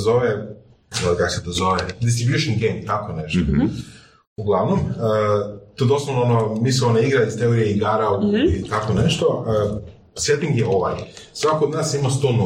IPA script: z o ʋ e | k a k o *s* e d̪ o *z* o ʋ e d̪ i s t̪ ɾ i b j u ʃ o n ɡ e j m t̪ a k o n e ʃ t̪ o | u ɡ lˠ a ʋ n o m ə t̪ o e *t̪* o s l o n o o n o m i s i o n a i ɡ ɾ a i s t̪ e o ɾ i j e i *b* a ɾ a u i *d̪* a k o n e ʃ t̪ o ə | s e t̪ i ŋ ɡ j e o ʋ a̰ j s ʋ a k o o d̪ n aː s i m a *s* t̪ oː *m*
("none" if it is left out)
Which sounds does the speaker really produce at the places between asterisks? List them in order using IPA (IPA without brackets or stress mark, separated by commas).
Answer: s, z, d̪, ɡ, t̪, s, n